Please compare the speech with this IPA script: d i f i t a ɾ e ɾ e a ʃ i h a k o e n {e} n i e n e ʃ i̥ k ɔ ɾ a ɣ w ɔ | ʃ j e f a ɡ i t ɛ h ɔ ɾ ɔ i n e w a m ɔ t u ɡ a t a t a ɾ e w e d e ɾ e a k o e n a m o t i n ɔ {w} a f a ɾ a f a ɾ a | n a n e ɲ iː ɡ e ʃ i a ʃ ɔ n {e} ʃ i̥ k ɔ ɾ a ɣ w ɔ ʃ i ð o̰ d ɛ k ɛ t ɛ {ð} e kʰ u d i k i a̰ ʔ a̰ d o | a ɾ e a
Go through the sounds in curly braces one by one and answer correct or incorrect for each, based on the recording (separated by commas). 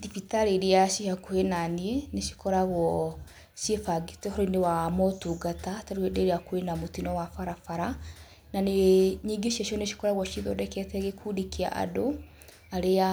incorrect, correct, correct, incorrect